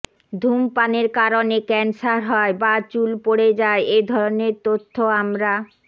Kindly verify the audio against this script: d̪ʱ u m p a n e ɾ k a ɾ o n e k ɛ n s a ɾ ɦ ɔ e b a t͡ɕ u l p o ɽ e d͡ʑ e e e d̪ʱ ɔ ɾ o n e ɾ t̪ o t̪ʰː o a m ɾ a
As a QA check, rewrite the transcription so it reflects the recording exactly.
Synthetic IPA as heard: d̪ʱ u m p a n e ɾ k a ɾ o n e k ɛ n s a ɾ ɦ ɔ e b a t͡ɕ u l p o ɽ e d͡ʑ a e e d̪ʱ ɔ ɾ o n e ɾ t̪ o t̪ʰː o a m ɾ a